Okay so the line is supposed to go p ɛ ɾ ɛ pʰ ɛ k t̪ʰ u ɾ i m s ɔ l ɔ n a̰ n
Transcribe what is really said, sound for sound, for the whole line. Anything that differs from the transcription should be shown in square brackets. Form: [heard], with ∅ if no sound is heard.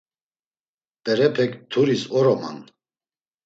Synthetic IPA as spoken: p ɛ ɾ ɛ pʰ ɛ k t̪ʰ u ɾ i [∅] s ɔ [ɾ] ɔ [m] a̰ n